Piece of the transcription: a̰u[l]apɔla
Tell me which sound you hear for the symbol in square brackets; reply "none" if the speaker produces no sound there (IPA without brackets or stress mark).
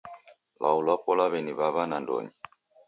l